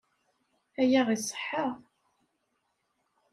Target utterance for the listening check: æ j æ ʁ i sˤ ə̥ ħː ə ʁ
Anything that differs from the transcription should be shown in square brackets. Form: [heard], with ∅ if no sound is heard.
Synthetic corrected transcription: æ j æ ʁ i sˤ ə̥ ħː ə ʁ